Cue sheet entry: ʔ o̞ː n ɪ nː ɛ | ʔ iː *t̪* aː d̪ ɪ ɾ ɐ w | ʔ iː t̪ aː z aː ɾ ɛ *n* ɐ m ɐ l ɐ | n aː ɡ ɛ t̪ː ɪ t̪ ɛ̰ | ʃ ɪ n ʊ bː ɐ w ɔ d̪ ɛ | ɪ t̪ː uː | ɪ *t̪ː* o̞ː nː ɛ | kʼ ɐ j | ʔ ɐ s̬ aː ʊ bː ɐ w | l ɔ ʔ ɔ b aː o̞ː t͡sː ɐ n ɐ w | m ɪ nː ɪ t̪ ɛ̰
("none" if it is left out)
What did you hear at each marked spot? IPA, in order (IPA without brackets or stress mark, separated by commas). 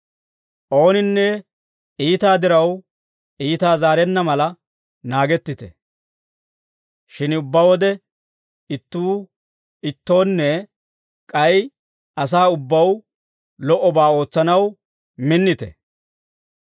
t̪, nː, t̪ː